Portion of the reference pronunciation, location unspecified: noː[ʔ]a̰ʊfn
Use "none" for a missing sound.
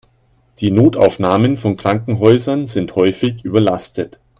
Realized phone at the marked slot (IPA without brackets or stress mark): t